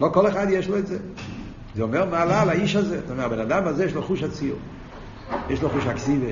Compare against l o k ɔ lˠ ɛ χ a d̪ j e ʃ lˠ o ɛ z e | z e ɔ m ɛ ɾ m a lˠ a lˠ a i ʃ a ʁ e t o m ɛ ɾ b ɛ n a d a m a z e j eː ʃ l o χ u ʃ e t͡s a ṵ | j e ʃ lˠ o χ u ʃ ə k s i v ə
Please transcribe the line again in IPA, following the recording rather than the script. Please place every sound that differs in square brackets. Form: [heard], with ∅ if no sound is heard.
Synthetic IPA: l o k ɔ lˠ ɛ χ a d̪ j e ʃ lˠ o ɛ z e | z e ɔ m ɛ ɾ m a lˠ a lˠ a i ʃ a [z] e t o m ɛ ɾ b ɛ n a d a m a z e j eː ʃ l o χ u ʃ [a] t͡s [i] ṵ | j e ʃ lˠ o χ u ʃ [a] k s i v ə